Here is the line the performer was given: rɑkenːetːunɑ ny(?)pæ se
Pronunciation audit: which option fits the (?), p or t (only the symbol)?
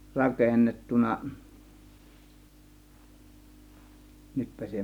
t